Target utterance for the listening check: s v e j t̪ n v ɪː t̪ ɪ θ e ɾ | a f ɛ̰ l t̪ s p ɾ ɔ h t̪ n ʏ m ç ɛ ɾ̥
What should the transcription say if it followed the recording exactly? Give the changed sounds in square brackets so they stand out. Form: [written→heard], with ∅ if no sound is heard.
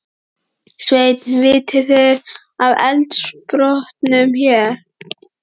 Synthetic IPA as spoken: s v e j t̪ n v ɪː t̪ ɪ θ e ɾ | a [f→v] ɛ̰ l t̪ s p ɾ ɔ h t̪ n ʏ m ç ɛ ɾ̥